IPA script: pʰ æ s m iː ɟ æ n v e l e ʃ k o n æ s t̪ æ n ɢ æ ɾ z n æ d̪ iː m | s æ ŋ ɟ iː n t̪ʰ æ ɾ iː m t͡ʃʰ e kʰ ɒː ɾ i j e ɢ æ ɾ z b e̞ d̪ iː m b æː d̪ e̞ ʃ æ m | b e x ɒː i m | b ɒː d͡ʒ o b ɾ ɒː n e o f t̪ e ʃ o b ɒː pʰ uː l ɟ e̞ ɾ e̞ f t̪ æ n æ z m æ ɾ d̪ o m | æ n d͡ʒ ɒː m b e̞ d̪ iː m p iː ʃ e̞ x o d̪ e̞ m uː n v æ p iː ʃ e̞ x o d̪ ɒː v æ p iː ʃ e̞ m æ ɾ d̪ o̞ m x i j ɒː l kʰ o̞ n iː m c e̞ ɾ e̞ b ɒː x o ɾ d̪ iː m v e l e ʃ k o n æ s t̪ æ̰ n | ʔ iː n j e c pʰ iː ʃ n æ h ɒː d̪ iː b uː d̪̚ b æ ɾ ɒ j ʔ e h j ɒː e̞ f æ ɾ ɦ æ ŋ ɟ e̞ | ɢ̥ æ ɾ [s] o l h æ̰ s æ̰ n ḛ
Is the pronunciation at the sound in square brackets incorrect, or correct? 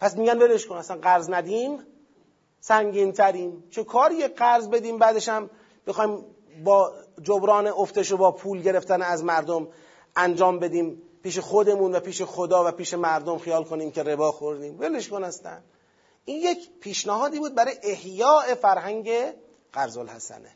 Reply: incorrect